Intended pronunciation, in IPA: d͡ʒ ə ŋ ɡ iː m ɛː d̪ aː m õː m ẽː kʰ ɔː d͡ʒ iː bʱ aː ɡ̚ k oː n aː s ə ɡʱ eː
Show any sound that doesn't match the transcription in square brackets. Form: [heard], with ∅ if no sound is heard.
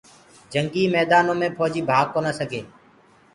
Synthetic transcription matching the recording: d͡ʒ ə ŋ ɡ iː m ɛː d̪ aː [n] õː m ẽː [pʰ] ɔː d͡ʒ iː bʱ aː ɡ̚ k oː n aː s ə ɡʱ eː